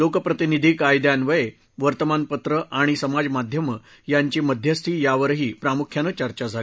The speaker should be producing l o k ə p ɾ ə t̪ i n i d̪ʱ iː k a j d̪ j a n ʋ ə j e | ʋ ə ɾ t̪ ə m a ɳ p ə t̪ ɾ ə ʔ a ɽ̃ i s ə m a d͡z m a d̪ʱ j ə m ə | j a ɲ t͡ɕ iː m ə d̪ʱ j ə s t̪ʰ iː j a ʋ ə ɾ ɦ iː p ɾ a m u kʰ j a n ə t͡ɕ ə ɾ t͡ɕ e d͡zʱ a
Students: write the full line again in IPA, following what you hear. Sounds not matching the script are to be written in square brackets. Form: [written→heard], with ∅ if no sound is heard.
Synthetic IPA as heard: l o k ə p ɾ ə t̪ i n i d̪ʱ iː k a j d̪ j a n ʋ ə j e | ʋ ə ɾ t̪ ə m a [ɳ→n] p ə t̪ ɾ ə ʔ a ɽ̃ i s ə m a d͡z m a d̪ʱ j ə m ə | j a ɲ t͡ɕ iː m ə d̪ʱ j ə s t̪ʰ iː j a ʋ ə ɾ ɦ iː p ɾ a m u kʰ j a n ə t͡ɕ ə ɾ t͡ɕ [e→a] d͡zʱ a